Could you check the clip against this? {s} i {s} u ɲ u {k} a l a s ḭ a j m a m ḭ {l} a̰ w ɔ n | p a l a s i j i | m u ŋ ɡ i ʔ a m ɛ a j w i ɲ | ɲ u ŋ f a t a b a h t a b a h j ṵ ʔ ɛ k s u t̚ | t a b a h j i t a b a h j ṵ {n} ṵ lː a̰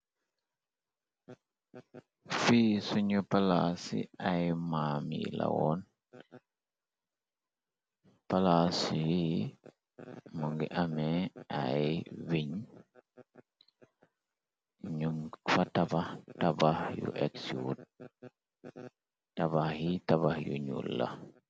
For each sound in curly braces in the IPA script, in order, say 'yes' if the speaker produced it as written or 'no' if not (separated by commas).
no, yes, no, yes, no